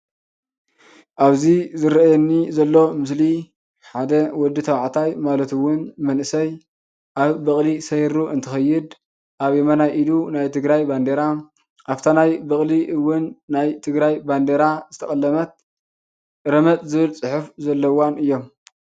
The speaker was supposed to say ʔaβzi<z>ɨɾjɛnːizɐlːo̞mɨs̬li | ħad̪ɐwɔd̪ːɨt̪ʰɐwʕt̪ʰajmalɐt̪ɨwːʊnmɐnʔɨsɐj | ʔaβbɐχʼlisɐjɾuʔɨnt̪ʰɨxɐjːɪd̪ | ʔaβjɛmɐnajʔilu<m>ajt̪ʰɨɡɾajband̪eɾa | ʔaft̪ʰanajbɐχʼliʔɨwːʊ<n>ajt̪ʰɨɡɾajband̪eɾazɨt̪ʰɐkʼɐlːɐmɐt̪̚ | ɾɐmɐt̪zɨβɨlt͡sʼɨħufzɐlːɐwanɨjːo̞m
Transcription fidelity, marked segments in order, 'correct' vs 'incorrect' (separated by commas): correct, incorrect, incorrect